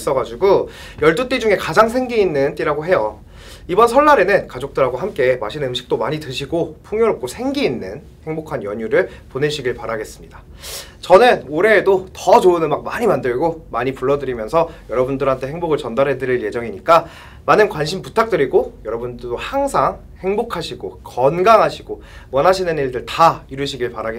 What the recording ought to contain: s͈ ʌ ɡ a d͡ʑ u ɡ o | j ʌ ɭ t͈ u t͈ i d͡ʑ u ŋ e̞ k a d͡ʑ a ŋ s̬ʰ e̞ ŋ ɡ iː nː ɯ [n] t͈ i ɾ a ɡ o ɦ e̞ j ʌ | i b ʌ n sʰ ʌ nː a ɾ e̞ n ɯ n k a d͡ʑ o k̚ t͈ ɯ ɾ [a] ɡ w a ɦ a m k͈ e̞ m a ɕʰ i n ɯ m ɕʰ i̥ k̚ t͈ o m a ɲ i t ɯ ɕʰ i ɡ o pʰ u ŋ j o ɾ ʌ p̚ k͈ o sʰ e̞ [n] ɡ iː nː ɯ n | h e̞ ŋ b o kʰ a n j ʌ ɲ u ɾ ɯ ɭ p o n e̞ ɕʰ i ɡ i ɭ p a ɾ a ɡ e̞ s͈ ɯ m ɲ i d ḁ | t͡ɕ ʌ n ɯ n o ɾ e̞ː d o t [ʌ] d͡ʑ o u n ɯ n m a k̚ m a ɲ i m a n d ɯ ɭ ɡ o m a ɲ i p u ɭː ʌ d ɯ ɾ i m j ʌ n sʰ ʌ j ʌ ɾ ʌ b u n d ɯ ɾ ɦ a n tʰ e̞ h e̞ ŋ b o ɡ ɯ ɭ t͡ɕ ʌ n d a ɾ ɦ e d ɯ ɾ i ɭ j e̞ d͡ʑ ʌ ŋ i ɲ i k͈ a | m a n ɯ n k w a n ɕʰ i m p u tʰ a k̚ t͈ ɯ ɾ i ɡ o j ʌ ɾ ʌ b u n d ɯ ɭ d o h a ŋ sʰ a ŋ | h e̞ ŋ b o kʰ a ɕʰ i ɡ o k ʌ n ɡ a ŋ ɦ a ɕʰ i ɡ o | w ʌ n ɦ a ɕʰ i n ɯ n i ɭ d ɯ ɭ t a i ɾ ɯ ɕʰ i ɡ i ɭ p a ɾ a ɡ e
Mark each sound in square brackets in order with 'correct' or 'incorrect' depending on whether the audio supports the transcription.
correct, correct, incorrect, correct

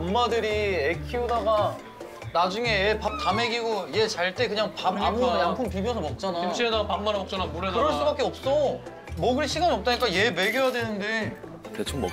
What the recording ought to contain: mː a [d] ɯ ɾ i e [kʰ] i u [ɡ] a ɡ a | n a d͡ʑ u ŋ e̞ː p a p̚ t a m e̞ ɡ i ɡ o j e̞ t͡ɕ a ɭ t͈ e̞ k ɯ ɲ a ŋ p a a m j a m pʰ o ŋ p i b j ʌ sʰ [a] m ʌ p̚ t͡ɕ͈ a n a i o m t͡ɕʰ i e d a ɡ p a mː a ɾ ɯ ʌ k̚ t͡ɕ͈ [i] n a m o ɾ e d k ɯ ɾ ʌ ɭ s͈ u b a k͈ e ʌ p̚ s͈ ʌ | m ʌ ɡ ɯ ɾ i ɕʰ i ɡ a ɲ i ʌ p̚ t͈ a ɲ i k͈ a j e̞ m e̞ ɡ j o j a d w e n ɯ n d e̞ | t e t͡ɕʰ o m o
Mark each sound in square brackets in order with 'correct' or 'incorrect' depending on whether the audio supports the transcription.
correct, correct, incorrect, incorrect, incorrect

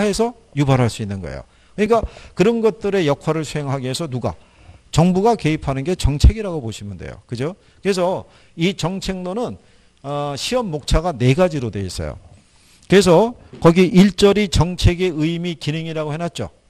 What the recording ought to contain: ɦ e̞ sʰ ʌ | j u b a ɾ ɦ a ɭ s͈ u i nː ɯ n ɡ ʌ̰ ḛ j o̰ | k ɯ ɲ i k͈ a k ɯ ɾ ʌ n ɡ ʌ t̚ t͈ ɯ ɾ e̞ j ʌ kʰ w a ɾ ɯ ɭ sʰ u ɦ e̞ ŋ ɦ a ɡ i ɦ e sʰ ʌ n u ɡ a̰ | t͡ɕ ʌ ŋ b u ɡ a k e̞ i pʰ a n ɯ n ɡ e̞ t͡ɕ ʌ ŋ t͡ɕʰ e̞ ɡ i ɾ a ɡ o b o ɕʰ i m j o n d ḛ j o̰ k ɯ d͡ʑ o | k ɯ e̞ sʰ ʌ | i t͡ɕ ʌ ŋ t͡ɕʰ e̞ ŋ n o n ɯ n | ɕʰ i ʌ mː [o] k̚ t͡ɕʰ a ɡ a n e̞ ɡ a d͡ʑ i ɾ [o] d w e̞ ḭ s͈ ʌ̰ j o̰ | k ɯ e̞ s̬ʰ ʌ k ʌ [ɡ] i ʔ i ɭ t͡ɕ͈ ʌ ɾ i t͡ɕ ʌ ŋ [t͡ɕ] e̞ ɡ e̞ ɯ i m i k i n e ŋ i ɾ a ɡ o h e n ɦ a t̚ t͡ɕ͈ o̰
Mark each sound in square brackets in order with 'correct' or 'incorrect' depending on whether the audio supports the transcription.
correct, correct, correct, incorrect

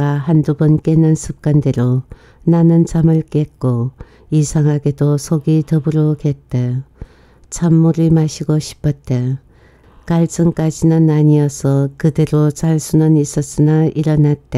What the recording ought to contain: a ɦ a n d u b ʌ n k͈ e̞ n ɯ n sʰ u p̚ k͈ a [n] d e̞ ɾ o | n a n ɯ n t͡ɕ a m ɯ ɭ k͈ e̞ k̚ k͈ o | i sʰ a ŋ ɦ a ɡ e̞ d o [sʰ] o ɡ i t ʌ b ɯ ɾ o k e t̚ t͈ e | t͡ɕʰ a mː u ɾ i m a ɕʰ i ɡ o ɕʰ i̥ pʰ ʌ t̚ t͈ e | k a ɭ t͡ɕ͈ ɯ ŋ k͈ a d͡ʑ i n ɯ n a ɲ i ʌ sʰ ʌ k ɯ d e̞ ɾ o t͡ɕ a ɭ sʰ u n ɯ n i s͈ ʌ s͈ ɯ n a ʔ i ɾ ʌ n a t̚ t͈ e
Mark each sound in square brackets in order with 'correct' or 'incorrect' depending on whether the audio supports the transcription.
correct, correct

